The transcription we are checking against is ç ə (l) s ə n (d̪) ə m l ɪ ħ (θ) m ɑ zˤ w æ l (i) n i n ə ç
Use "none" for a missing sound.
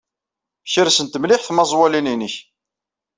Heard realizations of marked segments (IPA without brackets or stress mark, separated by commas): ɾ, t̪, θ, i